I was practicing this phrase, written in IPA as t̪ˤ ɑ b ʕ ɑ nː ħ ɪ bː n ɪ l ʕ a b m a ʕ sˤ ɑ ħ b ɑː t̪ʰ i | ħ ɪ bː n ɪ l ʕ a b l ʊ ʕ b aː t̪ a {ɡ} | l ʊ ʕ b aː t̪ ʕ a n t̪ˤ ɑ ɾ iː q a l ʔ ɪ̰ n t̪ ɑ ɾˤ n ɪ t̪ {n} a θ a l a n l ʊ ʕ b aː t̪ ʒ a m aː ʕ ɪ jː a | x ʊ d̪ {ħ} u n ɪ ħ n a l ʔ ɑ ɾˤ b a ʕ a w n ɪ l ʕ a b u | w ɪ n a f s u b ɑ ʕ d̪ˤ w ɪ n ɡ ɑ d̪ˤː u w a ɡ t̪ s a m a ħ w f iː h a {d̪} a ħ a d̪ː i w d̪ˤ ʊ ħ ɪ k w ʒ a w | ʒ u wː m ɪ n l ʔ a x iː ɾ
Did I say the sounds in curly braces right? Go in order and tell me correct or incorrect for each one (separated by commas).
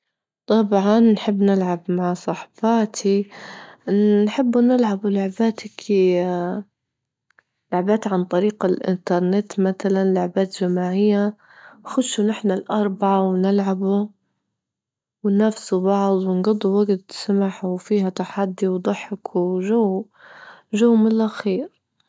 incorrect, incorrect, incorrect, incorrect